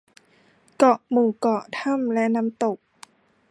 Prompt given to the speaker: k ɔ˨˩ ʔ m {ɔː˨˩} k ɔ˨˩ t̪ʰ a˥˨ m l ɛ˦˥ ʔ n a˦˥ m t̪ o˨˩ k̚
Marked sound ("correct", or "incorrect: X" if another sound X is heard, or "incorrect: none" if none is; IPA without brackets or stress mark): incorrect: uː˨˩